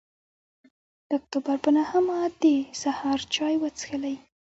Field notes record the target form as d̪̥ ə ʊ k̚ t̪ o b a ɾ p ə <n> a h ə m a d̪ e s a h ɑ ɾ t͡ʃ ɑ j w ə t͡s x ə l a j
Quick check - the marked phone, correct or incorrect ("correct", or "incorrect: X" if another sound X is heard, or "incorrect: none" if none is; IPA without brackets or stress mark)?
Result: correct